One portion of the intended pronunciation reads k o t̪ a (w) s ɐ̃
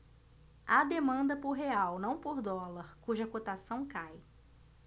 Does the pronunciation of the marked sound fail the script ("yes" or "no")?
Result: yes